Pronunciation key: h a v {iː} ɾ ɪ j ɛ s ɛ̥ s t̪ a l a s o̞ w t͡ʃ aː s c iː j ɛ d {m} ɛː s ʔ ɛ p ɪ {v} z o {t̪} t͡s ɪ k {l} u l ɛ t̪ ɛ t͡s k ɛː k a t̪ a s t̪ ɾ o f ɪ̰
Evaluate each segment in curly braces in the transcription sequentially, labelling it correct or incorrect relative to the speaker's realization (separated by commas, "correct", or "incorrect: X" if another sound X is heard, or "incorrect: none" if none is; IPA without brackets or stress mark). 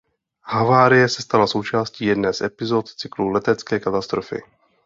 incorrect: aː, incorrect: n, incorrect: none, correct, correct